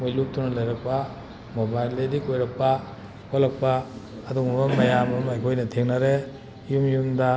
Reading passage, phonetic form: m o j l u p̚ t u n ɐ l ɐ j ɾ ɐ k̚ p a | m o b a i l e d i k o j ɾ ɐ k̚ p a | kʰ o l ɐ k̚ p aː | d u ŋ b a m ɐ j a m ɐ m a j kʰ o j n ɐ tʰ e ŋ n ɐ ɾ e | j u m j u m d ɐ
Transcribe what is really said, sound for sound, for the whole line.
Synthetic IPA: m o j l u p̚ t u n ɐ l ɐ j ɾ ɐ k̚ p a | m o b a j l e d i k o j ɾ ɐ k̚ p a | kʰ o l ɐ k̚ p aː | d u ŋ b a m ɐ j a m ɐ m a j kʰ o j n ɐ tʰ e ŋ n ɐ ɾ e | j u m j u m d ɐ